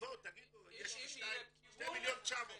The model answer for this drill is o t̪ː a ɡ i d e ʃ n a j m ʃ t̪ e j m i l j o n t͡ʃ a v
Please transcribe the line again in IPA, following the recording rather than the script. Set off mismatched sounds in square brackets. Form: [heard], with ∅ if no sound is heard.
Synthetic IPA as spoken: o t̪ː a ɡ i d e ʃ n a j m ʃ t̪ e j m i l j o n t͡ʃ a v